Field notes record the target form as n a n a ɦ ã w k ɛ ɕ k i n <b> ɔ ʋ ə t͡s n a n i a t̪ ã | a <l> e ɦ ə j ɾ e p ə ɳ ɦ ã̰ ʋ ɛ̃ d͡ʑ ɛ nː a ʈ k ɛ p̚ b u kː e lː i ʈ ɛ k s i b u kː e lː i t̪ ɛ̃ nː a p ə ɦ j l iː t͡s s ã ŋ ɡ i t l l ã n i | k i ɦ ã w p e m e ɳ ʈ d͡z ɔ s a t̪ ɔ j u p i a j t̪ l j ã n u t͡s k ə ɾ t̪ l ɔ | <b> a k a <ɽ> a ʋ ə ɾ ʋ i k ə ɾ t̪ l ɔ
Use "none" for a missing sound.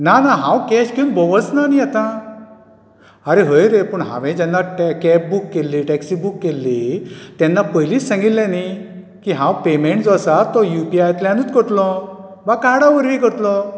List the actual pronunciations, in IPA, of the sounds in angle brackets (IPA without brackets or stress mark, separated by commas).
b, ɾ, b, ɽ